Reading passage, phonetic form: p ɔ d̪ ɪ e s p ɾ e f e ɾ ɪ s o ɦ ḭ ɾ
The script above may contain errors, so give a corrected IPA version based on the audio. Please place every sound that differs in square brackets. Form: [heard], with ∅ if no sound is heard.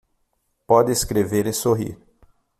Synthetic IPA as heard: p ɔ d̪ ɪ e s [k] ɾ e [v] e ɾ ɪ s o ɦ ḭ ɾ